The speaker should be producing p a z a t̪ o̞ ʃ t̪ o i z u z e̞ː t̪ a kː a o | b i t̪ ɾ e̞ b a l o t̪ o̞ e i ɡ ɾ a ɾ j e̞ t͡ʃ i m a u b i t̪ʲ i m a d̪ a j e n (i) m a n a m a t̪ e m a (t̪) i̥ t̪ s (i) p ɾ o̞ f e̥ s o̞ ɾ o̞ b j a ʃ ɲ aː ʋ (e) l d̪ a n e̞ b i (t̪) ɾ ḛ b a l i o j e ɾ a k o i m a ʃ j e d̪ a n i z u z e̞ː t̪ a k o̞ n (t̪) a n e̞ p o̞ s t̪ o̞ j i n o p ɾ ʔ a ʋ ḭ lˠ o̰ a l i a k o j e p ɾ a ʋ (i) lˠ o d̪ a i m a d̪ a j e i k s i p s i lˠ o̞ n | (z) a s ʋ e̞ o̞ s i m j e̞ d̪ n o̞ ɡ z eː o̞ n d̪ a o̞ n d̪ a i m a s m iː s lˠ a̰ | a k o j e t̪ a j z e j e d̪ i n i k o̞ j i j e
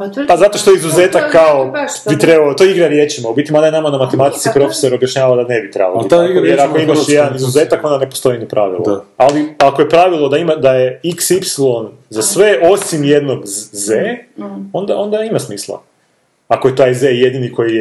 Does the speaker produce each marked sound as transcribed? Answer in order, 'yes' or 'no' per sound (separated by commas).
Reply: no, yes, yes, no, yes, no, yes, yes